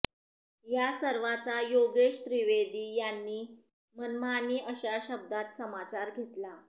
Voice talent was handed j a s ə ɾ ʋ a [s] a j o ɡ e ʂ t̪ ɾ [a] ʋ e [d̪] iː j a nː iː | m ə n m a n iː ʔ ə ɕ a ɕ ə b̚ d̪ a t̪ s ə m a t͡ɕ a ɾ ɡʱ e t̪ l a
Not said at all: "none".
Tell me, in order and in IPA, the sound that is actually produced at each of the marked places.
t͡s, i, d̪

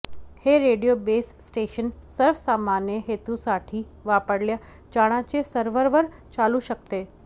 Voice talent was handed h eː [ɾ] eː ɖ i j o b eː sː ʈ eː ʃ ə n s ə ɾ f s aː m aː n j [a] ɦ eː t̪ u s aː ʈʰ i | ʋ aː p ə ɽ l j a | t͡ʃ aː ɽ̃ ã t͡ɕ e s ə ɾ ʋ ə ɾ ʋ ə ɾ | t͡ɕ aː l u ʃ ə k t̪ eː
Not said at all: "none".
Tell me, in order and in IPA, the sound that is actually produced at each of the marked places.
ɾ, ə

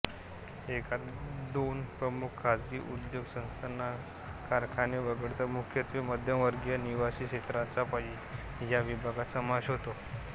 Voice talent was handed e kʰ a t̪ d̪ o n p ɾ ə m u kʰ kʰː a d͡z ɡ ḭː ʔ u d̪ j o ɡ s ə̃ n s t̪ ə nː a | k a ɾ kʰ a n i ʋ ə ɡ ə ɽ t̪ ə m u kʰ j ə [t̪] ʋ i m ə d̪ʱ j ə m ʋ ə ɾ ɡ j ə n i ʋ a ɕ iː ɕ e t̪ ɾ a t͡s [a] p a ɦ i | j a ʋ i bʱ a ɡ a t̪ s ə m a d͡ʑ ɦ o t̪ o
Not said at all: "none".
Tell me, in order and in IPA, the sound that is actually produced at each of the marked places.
t̪, a

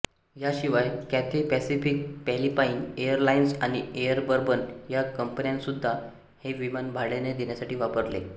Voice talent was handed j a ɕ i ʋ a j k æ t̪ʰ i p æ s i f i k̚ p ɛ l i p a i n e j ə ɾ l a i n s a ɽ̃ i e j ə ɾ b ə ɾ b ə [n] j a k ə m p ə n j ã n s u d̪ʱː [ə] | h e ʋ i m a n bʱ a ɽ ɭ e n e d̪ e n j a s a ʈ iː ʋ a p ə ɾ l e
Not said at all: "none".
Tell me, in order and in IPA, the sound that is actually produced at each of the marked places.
n, a

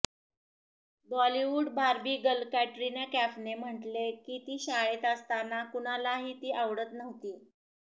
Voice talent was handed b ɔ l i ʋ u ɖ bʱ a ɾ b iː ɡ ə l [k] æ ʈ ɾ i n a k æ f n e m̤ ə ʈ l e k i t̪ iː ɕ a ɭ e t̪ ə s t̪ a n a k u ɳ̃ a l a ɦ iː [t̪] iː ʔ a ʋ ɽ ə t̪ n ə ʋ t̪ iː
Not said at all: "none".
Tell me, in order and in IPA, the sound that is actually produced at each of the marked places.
k, t̪

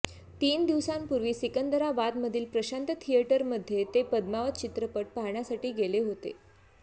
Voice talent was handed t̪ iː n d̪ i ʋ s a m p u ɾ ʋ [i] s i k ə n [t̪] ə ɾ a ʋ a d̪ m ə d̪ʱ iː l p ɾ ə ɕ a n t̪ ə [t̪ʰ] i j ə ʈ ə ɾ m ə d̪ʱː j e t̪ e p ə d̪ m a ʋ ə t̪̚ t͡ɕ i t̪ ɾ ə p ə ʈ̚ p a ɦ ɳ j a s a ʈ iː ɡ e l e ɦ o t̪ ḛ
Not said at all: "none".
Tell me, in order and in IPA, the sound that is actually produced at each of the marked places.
iː, d̪, t̪ʰ

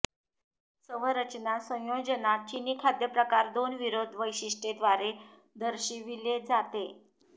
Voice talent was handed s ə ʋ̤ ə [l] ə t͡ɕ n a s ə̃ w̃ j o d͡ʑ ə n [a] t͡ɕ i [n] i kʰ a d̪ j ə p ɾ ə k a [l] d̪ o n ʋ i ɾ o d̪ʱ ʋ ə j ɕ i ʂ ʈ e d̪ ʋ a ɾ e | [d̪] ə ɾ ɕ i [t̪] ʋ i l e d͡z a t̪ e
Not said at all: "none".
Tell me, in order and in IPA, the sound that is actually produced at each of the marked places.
ɾ, a, n, ɾ, d̪, none

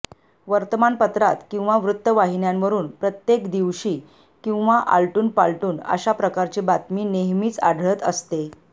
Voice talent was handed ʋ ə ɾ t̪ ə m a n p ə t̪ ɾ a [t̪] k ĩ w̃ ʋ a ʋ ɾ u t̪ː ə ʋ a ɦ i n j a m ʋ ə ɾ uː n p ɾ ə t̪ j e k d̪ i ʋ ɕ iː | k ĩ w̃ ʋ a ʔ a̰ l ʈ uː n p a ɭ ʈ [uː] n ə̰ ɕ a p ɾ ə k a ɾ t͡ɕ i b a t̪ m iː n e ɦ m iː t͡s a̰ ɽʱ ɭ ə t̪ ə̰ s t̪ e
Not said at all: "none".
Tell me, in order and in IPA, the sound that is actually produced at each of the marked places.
t̪, uː

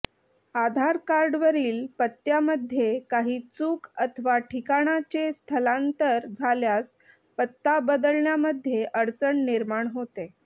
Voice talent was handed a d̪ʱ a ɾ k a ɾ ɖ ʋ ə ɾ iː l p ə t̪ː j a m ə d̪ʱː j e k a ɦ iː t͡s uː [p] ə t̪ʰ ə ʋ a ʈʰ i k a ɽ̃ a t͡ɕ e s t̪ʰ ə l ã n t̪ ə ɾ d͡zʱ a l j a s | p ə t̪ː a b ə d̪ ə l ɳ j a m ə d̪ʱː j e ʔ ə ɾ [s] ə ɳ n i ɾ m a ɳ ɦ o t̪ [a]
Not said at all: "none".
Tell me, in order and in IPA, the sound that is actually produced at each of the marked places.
k, t͡s, e

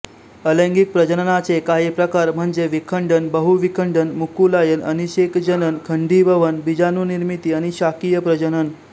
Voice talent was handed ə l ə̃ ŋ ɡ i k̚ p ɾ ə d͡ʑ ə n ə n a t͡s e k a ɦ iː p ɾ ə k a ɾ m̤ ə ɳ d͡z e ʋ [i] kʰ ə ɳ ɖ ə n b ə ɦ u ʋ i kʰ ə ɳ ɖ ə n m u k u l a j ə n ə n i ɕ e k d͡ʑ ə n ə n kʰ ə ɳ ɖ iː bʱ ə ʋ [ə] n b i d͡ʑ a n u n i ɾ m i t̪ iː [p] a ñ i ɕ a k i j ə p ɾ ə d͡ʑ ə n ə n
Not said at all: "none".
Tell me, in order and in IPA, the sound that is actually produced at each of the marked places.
i, ə, none

